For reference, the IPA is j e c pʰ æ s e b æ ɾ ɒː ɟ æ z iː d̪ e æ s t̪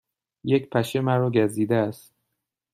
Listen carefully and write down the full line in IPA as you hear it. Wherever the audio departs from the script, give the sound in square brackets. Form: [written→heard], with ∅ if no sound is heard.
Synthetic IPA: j e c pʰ æ [s→ʃ] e [b→m] æ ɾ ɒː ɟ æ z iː d̪ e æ s t̪